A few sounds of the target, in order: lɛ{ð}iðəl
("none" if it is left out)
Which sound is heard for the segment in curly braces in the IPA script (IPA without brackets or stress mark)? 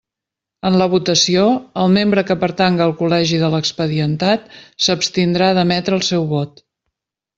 ʒ